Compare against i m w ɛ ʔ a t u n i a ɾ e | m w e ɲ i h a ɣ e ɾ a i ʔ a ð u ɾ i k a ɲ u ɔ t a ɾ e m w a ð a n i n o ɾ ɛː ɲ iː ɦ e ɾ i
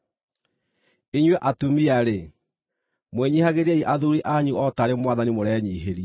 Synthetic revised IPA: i ɲ w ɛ ʔ a t u m i a ɾ e | m w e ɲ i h a ɣ e ɾ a i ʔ a ð u ɾ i ʔ a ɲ u ɔ t a ɾ e m w a ð a n i m o ɾ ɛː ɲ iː ɦ e ɾ i